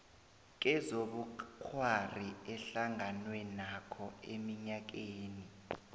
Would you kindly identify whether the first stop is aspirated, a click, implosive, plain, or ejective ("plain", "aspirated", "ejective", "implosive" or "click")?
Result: plain